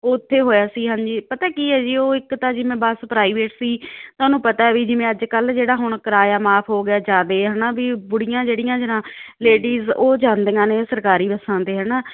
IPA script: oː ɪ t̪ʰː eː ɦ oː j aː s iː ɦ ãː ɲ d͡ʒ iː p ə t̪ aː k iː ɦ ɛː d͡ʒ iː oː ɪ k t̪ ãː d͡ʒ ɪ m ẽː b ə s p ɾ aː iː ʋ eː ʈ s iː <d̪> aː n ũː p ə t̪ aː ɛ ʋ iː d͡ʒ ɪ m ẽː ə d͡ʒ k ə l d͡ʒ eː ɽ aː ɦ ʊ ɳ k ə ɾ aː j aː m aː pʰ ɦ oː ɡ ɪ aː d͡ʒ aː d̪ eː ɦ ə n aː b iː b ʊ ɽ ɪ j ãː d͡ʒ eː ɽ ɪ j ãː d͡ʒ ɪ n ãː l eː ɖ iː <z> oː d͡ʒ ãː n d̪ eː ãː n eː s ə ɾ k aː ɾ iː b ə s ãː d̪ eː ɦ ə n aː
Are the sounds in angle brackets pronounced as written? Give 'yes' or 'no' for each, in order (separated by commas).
no, yes